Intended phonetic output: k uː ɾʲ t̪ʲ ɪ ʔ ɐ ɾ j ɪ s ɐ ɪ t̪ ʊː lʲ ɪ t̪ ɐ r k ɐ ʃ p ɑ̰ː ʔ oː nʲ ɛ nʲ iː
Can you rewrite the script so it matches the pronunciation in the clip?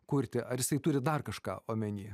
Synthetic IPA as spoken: k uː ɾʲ t̪ʲ ɪ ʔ ɐ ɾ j ɪ s ɐ ɪ t̪ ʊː ɾʲ ɪ d̪ ɐ r k ɐ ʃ k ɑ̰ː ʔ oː mʲ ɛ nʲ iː